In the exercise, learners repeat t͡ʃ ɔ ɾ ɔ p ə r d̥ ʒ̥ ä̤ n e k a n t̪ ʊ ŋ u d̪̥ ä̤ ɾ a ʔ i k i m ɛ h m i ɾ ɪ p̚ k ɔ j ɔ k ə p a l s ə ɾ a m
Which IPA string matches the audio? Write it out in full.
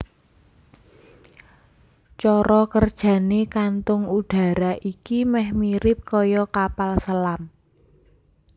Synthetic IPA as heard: t͡ʃ ɔ ɾ ɔ k ə r d̥ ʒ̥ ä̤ n e k a n t̪ ʊ ŋ u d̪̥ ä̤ ɾ a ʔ i k i m ɛ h m i ɾ ɪ p̚ k ɔ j ɔ k a p a l s ə l a m